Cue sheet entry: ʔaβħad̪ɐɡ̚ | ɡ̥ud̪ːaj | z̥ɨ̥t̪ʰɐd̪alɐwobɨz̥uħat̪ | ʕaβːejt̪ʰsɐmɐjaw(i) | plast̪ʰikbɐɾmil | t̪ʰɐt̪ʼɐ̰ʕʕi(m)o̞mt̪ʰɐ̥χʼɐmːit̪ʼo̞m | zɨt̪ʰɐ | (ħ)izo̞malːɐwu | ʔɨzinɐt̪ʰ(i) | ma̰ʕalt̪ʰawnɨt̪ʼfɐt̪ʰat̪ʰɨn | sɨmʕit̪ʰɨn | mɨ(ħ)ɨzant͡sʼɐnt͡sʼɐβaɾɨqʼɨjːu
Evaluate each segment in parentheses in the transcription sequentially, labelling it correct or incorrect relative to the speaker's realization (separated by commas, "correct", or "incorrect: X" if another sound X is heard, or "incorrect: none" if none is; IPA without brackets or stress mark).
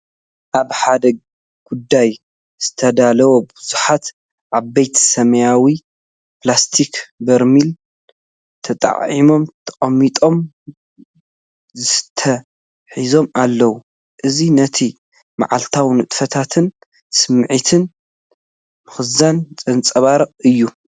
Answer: correct, correct, correct, correct, incorrect: x